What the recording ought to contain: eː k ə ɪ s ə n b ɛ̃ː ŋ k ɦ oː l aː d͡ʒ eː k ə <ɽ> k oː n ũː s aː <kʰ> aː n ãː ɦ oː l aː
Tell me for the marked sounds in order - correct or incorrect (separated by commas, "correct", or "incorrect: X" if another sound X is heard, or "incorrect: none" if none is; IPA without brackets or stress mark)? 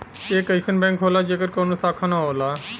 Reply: incorrect: ɾ, correct